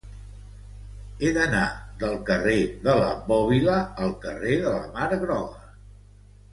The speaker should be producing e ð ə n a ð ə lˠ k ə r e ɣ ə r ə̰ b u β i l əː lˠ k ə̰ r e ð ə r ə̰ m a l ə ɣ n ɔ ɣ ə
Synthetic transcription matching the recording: e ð ə n a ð ə lˠ k ə r e ð ə l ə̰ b ɔ β i l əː lˠ k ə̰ r e ð ə l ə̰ m a ɾ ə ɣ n ɔ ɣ ə